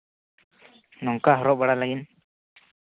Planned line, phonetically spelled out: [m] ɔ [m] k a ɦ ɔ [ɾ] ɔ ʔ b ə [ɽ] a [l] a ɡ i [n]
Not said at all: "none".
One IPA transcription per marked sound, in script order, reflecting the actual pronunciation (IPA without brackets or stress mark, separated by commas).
n, ŋ, ɾ, ɽ, l, n